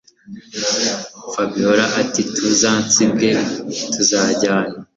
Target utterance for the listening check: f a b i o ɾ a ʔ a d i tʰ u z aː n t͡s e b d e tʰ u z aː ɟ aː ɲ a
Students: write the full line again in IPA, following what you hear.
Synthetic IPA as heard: f a b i o ɾ a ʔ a t i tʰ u z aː n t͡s i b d e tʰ u z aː ɟ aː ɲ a